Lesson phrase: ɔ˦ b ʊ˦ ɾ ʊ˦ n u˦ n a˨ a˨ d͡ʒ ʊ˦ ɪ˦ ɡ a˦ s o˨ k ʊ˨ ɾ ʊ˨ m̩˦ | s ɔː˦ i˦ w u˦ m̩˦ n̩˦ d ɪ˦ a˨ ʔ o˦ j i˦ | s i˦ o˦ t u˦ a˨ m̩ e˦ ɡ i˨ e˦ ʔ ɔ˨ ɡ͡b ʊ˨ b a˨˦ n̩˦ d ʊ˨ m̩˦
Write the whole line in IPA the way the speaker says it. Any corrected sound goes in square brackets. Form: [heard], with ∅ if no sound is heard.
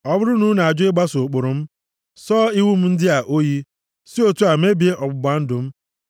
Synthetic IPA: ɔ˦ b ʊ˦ ɾ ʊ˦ n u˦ n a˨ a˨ d͡ʒ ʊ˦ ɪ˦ [ɡ͡b] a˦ s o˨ [k͡p] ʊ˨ ɾ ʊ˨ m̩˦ | s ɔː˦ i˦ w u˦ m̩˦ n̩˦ d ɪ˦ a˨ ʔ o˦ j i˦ | s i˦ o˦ t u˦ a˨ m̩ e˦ [b] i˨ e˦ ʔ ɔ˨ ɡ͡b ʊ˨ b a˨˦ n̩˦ d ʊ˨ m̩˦

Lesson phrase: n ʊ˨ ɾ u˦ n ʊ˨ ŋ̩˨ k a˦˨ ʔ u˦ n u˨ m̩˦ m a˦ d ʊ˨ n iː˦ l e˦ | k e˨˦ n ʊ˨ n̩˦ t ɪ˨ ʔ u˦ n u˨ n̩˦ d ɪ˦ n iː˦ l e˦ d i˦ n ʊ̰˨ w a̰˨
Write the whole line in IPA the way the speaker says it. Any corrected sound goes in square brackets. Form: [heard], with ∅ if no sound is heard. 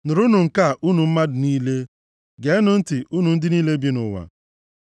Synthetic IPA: n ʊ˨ ɾ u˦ n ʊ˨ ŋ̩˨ k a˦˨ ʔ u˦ n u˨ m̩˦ m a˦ d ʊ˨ n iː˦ l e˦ | [ɡ] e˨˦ n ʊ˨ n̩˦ t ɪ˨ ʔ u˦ n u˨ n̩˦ d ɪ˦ n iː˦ l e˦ [b] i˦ n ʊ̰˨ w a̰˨

